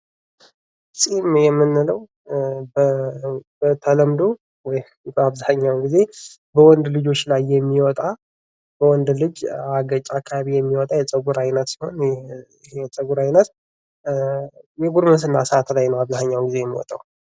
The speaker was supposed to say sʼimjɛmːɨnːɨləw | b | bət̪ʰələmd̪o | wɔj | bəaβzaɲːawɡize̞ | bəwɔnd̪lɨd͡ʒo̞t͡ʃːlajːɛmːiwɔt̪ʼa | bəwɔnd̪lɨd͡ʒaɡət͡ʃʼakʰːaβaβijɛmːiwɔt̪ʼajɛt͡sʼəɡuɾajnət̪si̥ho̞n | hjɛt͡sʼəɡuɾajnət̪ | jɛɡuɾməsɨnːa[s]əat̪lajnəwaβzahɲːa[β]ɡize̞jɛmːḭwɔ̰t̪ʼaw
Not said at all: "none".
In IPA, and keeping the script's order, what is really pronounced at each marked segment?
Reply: s, w

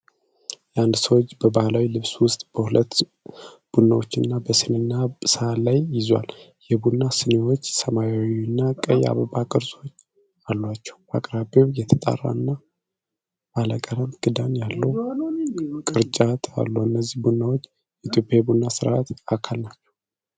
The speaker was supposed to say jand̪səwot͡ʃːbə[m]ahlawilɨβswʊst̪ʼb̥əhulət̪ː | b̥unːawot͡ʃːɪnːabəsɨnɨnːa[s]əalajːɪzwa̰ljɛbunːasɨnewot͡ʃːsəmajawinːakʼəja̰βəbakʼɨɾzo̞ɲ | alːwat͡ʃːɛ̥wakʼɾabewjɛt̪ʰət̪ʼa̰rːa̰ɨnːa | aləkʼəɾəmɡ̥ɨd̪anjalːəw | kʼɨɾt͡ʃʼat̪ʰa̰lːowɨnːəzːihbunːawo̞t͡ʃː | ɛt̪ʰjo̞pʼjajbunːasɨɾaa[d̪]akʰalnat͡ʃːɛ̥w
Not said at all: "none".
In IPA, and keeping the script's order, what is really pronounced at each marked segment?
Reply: b, s, t̪

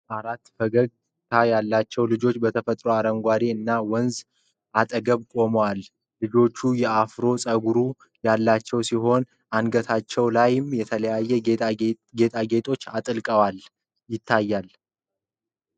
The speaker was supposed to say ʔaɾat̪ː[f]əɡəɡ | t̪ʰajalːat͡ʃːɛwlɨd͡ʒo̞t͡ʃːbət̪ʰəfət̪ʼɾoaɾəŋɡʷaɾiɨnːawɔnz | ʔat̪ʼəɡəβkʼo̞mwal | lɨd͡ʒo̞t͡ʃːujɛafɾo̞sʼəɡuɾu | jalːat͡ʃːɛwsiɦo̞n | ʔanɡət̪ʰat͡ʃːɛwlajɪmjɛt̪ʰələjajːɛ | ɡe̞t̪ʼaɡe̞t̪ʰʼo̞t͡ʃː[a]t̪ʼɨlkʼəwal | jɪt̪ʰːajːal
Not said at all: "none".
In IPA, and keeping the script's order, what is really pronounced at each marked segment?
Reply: f, a

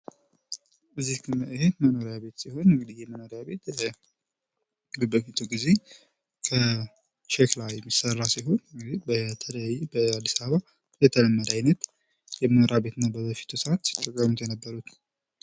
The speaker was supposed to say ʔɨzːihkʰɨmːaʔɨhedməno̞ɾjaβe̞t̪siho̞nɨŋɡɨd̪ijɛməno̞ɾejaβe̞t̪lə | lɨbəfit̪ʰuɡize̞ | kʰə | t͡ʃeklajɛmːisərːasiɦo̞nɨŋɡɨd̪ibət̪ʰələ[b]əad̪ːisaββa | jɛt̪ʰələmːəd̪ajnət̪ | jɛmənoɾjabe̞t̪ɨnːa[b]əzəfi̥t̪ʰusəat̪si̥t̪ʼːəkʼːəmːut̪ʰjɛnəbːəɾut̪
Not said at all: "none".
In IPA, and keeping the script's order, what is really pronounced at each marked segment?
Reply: b, b

